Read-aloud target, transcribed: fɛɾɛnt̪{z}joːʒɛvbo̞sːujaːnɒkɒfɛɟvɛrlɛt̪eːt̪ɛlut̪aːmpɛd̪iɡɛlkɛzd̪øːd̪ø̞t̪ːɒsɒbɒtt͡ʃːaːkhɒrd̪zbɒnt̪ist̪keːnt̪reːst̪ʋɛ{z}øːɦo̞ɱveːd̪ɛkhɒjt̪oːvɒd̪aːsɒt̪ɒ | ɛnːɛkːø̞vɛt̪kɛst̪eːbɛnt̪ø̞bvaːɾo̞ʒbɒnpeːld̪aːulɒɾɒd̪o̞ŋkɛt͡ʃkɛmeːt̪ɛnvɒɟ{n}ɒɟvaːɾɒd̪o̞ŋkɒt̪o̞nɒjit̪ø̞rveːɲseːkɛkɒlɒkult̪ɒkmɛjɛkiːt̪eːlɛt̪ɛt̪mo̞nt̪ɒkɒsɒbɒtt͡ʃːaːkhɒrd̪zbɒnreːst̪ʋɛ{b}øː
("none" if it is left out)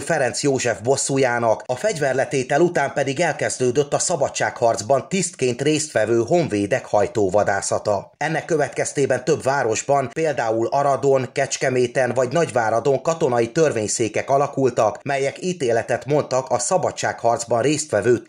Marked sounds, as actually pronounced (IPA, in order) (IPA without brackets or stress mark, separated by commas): s, v, n, v